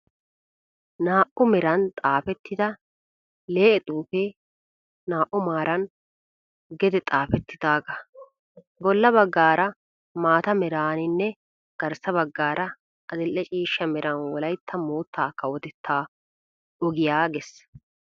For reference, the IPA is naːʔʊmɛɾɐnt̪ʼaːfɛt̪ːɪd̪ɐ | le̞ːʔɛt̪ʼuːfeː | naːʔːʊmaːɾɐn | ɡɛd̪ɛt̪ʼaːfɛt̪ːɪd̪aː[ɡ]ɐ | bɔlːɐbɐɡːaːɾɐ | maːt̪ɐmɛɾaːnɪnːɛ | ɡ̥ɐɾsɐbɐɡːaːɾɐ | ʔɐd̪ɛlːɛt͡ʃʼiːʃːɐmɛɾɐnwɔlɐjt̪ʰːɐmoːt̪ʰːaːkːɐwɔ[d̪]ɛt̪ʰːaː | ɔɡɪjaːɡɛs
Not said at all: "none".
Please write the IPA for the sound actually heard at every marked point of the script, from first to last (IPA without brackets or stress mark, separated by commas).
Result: ɡ, t̪